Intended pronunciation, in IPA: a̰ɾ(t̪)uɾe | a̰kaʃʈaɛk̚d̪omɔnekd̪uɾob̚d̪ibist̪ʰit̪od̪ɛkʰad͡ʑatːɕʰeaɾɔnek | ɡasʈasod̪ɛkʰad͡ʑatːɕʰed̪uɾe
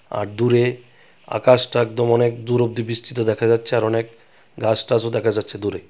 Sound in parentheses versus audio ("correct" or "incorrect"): incorrect